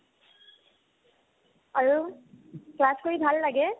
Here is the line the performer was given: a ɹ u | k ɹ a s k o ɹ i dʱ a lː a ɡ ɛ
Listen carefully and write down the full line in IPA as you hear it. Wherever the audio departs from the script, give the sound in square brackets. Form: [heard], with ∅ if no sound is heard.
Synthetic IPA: a ɹ u | k [l] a s k o ɹ i [bʱ] a lː a ɡ ɛ